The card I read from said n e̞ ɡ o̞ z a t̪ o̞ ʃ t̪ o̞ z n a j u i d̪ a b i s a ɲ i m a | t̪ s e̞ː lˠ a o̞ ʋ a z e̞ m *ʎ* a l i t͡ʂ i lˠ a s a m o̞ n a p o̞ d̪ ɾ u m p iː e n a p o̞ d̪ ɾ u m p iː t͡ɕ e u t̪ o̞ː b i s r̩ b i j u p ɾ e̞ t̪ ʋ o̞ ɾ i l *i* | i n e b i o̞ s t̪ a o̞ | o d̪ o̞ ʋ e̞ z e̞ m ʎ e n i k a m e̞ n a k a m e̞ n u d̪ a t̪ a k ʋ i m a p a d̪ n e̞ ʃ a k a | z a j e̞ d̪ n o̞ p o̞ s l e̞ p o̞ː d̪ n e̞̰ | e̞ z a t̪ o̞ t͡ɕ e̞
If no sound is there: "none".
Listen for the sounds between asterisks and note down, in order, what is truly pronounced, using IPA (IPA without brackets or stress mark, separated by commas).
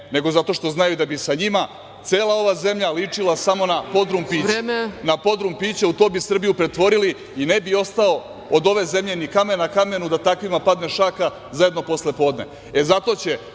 ʎ, i